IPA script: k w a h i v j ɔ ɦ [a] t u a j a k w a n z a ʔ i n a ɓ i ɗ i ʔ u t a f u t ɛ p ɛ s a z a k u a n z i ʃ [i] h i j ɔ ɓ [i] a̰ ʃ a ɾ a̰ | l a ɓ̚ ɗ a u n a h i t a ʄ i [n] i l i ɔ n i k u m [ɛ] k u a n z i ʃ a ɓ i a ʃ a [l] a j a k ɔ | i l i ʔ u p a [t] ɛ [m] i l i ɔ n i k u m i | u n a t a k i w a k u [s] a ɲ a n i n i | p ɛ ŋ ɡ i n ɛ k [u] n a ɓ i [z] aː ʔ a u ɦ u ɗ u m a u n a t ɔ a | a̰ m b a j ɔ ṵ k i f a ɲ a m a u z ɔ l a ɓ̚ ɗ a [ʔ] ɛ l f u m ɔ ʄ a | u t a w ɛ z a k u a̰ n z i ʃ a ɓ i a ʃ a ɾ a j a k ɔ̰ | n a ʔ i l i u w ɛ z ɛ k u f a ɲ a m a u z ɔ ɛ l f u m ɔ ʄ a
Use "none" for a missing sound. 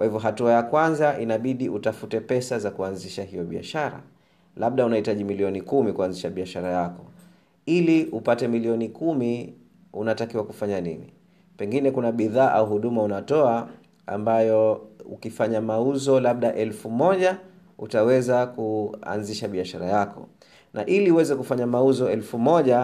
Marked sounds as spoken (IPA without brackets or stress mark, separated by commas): a, a, i, m, i, ɾ, t, m, f, u, ð, ʔ